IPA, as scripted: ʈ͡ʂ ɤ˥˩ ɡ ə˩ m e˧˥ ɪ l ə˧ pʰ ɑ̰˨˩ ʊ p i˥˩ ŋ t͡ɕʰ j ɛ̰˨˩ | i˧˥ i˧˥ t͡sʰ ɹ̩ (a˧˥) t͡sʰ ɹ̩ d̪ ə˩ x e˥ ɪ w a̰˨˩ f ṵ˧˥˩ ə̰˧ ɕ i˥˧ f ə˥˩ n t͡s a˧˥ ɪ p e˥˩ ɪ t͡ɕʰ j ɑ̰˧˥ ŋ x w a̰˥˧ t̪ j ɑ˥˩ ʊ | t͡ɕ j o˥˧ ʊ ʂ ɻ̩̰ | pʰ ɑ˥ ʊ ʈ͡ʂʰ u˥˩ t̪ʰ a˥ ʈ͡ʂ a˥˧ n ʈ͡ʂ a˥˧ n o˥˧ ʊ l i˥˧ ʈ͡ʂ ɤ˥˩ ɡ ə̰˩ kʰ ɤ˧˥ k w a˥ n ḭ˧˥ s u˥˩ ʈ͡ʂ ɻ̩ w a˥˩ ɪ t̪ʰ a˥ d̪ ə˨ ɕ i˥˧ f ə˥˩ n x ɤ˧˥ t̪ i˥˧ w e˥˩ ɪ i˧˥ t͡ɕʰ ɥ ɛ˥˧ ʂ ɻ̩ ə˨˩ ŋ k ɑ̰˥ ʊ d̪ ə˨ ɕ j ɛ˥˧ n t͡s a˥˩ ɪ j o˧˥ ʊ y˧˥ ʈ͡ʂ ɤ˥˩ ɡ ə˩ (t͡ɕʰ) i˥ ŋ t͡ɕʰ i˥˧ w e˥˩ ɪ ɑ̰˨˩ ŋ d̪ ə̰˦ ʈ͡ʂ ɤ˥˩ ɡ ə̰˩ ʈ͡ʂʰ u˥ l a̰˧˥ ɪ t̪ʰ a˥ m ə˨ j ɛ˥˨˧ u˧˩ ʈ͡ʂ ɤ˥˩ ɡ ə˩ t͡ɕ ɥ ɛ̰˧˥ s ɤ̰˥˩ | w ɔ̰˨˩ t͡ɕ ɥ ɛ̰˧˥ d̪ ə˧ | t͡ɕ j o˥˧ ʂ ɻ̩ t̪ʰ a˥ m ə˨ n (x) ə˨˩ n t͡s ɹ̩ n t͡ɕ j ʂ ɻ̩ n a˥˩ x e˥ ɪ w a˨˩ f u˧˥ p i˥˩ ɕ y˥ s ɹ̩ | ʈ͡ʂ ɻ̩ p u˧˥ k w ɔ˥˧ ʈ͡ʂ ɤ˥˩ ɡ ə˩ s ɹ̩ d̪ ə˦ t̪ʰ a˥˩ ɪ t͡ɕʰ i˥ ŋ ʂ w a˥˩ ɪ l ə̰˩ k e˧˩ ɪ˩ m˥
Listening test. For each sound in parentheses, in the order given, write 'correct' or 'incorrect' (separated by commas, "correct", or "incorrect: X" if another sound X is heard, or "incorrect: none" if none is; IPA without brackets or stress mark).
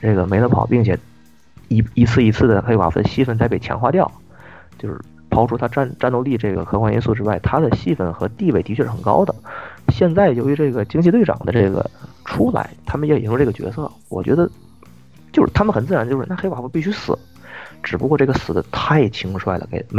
incorrect: i˧˥, incorrect: t͡ɕ, correct